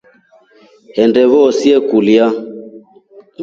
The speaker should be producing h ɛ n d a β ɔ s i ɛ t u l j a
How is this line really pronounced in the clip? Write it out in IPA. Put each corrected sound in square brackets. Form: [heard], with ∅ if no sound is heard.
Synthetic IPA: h ɛ n d [ɛ] β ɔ s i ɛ [k] u l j a

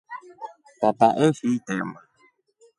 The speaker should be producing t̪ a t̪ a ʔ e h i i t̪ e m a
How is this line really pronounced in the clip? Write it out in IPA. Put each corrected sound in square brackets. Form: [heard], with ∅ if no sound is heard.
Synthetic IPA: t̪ a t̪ a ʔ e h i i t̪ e m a

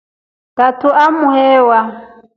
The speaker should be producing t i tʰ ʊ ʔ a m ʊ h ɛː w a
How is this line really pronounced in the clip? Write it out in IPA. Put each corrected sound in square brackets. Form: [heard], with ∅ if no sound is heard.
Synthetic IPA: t [a] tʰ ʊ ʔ a m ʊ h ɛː w a

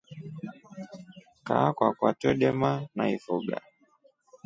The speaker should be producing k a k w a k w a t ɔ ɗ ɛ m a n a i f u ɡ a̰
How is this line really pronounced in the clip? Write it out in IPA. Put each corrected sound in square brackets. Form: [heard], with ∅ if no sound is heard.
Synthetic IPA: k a k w a k w a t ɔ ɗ ɛ m a n a i f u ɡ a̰

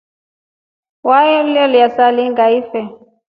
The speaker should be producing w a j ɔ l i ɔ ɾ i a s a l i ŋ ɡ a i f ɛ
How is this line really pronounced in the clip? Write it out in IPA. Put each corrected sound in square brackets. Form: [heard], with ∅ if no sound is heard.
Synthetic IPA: w a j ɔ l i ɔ [l] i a s a l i ŋ ɡ a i f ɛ

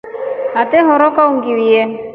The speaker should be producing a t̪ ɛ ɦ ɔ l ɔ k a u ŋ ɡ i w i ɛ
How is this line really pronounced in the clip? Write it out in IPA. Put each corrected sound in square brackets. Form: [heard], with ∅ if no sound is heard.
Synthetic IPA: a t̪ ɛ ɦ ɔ [ɾ] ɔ k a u ŋ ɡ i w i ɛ

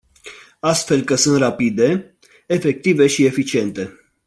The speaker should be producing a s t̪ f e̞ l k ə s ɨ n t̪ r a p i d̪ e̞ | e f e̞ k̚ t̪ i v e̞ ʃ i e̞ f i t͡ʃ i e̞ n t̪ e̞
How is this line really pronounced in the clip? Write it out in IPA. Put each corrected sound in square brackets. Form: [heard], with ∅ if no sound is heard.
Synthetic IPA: a s t̪ f e̞ l k ə s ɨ n t̪ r a p i d̪ e̞ | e f e̞ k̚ t̪ i v e̞ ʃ i e̞ f i t͡ʃ i e̞ n t̪ e̞

